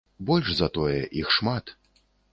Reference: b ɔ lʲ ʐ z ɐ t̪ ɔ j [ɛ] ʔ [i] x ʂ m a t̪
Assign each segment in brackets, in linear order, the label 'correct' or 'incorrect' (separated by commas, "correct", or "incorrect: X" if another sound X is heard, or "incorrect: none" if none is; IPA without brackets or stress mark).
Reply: correct, correct